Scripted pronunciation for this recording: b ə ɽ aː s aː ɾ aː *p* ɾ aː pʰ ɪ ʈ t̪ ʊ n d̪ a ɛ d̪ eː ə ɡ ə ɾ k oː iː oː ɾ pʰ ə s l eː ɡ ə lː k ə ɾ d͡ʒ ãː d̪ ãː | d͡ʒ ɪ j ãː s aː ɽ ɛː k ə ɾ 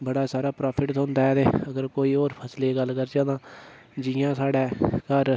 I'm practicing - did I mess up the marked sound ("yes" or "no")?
no